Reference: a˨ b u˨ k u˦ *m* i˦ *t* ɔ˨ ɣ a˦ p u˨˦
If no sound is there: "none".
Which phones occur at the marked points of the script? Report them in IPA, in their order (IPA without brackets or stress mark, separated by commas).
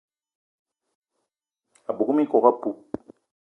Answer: m, k